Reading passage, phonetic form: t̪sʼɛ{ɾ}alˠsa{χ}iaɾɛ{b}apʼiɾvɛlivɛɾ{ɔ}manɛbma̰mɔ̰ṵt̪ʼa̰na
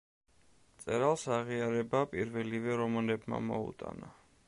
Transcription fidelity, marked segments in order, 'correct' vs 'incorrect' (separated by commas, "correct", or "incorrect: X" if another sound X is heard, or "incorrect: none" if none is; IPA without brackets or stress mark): correct, incorrect: ʁ, correct, correct